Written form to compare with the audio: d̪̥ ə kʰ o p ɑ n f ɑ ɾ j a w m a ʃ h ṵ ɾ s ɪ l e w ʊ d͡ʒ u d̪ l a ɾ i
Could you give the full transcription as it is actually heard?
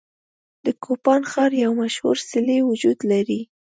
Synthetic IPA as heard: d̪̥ ə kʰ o p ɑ n x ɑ ɾ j a w m a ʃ h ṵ ɾ s ɪ l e w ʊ d͡ʒ u d̪ l a ɾ i

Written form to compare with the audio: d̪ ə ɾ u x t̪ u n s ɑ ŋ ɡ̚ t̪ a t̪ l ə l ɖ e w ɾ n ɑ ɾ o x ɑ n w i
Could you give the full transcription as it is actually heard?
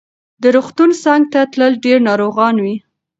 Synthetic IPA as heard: d̪ ə ɾ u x t̪ u n s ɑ ŋ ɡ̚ t̪ a t̪ l ə l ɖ e ɾ n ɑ ɾ o ɣ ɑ n w i

